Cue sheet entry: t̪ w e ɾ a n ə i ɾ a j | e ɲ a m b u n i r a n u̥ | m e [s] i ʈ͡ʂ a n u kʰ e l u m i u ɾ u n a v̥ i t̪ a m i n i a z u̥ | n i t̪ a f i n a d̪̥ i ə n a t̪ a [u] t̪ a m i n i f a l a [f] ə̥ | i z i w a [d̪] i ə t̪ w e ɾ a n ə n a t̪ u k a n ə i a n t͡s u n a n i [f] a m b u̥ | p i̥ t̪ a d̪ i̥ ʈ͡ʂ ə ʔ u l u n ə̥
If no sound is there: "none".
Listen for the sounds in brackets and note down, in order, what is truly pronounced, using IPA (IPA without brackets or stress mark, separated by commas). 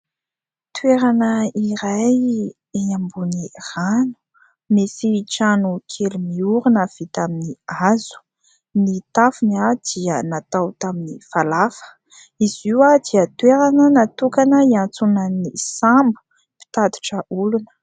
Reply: s, w, f, d̪, s